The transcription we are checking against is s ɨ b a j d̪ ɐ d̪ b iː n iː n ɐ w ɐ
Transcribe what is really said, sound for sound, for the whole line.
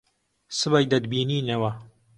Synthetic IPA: s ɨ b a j d̪ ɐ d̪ b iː n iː n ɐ w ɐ